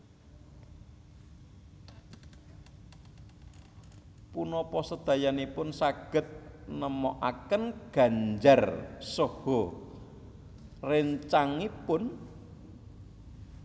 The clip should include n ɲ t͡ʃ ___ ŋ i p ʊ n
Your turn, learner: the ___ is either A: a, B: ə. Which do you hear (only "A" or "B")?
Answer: A